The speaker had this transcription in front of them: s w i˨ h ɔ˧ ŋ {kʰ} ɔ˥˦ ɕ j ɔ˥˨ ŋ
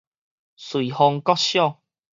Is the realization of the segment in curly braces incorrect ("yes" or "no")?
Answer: yes